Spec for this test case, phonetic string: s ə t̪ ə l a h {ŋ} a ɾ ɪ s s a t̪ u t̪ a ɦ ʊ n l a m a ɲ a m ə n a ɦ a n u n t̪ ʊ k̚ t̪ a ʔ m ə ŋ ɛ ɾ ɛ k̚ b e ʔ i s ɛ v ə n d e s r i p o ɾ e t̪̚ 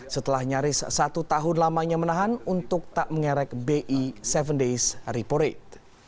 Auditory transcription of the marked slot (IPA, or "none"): ɲ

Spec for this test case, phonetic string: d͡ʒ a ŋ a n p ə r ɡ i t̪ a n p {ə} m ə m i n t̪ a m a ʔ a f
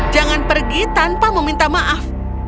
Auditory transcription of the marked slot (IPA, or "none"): a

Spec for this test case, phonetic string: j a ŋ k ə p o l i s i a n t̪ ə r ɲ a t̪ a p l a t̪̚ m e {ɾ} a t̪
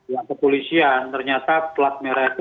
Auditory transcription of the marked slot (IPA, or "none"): ɾ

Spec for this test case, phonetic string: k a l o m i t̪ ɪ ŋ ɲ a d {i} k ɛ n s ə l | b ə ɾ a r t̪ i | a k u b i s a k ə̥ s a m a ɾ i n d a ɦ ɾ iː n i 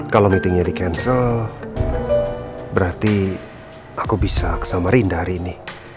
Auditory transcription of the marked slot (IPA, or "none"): i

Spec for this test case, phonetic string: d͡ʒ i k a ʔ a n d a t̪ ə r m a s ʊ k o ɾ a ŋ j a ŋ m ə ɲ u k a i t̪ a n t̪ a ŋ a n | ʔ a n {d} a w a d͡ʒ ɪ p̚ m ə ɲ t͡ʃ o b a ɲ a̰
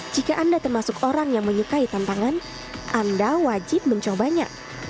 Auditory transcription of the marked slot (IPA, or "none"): d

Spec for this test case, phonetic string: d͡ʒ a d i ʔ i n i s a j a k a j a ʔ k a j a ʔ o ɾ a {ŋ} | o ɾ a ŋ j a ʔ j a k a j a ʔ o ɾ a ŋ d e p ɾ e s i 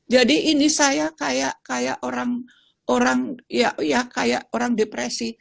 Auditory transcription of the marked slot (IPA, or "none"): ŋ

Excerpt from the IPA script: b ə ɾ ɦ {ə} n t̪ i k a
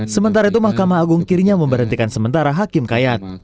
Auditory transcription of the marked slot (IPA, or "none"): ə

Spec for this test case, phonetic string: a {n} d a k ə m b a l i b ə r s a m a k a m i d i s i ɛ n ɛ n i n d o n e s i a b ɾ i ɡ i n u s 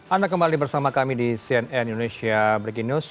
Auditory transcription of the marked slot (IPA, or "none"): n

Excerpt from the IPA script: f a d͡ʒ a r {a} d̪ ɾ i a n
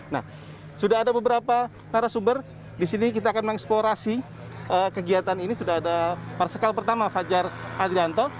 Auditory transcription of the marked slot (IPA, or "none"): a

